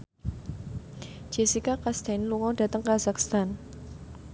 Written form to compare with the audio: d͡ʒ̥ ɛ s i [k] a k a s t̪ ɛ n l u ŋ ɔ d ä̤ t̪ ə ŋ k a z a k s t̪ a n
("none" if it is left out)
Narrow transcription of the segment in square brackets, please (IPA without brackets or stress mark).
k